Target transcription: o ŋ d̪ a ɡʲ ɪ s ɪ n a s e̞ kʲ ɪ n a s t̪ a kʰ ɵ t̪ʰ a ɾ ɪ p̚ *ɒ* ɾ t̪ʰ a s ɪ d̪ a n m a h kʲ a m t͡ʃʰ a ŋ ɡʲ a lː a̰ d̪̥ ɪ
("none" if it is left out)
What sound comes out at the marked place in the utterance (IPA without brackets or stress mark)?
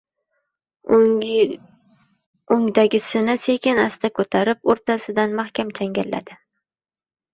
o